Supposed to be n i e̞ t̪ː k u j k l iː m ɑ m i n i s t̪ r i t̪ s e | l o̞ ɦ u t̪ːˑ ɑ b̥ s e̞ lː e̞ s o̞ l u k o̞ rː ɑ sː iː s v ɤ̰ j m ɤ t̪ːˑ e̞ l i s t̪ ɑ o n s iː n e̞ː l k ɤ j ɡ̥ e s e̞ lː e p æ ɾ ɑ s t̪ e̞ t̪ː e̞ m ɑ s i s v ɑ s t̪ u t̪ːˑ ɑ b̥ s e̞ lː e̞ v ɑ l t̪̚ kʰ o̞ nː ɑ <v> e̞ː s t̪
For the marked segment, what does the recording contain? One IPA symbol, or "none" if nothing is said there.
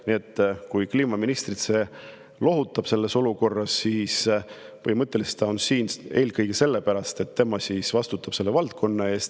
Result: none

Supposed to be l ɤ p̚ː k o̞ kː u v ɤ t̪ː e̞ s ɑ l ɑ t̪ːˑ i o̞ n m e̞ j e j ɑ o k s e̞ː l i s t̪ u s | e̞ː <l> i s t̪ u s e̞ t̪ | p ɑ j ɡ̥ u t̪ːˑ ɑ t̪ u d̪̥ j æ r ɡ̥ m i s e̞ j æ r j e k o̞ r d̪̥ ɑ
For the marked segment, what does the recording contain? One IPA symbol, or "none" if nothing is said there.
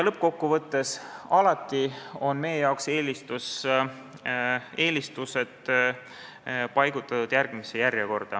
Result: l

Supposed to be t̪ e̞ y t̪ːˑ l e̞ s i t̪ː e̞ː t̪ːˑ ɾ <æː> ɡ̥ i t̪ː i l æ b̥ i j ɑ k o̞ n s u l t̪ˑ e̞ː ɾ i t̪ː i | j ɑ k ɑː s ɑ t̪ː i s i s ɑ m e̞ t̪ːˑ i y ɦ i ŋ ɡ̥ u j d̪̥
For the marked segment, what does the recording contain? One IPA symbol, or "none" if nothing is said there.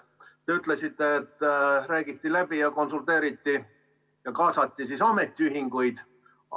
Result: æː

